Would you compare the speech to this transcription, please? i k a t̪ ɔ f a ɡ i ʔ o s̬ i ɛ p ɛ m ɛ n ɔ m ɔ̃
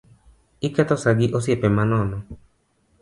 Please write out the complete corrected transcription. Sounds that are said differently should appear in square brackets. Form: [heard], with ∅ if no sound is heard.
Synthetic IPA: i k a t̪ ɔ [s] a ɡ i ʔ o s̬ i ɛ p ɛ m [a] n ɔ [n] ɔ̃